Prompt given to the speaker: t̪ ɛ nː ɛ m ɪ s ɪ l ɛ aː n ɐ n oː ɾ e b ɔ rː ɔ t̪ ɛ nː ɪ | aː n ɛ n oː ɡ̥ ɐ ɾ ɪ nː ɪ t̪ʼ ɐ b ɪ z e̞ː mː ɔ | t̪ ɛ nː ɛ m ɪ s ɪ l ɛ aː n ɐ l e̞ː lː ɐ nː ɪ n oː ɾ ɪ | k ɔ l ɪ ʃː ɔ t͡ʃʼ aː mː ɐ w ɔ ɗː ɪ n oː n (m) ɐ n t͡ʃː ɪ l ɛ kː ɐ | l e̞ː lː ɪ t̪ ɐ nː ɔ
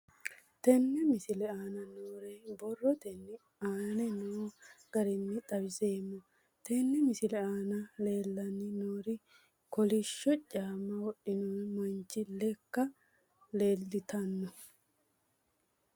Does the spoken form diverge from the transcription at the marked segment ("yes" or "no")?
no